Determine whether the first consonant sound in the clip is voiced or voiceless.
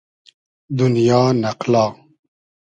voiced